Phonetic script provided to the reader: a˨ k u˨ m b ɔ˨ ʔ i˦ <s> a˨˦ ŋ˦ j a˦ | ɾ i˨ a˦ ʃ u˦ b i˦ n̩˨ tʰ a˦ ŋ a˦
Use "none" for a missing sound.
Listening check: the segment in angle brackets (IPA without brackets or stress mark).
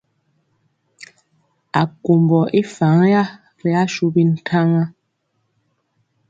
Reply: f